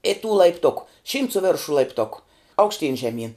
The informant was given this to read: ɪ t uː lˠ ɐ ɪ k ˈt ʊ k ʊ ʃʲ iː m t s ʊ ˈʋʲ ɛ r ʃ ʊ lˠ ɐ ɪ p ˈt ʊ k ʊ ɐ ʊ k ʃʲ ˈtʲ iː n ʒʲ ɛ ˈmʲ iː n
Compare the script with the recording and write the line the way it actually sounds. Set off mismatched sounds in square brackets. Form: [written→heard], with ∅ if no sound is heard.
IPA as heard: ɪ t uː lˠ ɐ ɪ [k→p] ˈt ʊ k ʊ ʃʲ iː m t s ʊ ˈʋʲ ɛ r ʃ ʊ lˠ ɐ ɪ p ˈt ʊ k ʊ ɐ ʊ k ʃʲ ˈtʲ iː n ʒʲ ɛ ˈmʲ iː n